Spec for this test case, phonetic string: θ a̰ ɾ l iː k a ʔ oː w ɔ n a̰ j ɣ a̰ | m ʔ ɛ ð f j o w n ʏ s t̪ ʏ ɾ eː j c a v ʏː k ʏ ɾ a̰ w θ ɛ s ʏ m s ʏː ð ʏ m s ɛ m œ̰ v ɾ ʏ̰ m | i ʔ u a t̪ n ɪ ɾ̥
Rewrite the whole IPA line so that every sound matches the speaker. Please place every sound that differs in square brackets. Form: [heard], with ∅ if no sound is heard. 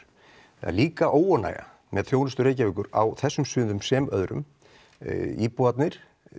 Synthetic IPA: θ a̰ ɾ l iː k a ʔ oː w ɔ n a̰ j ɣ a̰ | m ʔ ɛ ð [θ] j o w n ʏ s t̪ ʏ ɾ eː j c a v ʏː k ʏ ɾ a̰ w θ ɛ [sː] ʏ m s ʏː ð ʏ m s ɛ m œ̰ [ð] ɾ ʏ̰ m | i [p] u a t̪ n ɪ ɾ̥